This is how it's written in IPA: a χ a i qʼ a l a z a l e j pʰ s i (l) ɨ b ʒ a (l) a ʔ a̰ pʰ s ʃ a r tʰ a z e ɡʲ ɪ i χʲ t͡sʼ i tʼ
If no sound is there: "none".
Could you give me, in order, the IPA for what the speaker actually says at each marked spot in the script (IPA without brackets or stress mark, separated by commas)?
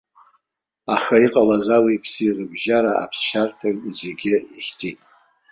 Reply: r, ɾ